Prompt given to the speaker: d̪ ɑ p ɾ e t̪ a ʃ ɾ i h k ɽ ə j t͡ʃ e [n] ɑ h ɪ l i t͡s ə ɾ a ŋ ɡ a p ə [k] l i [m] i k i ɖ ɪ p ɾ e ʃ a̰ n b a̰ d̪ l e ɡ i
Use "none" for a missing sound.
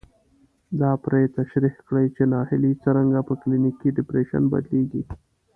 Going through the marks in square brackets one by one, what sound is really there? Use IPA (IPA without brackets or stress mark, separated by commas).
n, k, n